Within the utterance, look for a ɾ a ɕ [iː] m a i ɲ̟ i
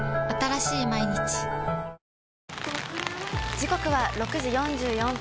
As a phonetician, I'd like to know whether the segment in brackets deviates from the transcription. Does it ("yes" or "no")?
no